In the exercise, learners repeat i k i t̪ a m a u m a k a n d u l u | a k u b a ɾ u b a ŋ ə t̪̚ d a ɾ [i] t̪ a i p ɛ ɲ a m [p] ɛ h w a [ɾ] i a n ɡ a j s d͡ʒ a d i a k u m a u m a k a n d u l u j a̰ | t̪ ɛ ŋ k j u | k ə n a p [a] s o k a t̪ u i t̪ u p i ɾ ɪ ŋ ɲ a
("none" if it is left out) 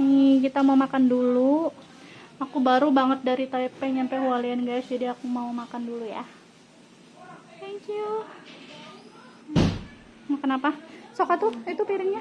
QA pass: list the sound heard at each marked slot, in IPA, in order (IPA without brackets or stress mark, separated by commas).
i, p, l, a